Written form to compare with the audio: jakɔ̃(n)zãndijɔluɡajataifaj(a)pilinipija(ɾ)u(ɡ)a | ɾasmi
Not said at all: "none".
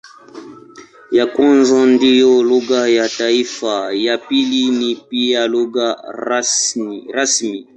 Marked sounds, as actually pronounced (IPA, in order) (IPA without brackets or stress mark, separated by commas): n, a, l, ɡ